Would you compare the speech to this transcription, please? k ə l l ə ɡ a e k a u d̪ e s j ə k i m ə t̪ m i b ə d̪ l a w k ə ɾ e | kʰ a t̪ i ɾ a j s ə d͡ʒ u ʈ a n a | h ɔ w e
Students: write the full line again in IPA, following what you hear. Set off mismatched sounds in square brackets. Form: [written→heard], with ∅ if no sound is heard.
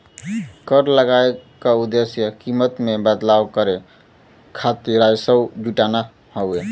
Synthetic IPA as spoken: k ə [l→ɾ] l ə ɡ a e k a u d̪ e s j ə k i m ə t̪ m [i→e] b ə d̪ l a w k ə ɾ e | kʰ a t̪ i ɾ a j s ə d͡ʒ u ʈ a n a | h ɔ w e